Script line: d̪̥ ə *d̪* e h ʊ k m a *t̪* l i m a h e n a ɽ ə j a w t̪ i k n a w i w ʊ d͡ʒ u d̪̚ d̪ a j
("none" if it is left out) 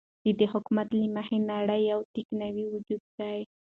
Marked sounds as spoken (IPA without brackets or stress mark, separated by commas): d̪, t̪